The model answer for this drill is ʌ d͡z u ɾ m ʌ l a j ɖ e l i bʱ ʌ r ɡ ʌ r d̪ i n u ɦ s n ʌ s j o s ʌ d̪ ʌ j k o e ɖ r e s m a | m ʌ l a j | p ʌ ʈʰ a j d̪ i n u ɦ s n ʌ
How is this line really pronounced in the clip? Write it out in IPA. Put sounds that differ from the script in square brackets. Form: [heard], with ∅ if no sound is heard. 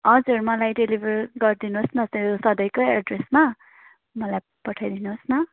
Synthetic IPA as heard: ʌ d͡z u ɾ m ʌ l a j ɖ e l i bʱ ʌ r ɡ ʌ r d̪ i n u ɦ s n ʌ s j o s ʌ d̪ ʌ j k o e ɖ r e s m a | m ʌ l a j | p ʌ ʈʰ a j d̪ i n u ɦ s n ʌ